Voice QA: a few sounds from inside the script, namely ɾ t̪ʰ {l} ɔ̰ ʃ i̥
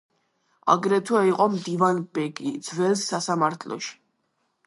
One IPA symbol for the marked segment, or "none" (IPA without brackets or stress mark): l